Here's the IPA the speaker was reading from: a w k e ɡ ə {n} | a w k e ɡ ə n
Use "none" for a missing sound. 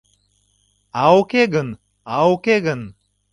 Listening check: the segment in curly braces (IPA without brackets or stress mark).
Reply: n